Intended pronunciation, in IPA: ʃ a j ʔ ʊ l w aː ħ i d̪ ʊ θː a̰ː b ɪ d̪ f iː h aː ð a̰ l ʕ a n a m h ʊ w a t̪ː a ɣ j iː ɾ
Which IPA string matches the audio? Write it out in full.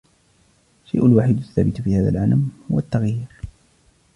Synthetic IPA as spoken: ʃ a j ʔ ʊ l w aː ħ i d̪ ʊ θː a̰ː b ɪ t̪ f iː h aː ð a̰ l ʕ a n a m h ʊ w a t̪ː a ɣ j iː ɾ